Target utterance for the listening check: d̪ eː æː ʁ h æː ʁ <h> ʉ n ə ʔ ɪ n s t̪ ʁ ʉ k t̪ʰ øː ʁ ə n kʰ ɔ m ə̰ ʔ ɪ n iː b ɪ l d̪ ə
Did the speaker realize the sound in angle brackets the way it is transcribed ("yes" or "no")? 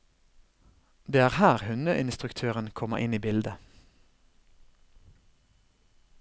yes